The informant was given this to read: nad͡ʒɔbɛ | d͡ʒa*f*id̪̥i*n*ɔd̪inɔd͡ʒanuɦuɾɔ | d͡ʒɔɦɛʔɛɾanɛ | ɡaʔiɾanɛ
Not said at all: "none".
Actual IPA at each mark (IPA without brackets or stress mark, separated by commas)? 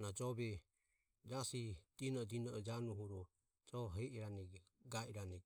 s, n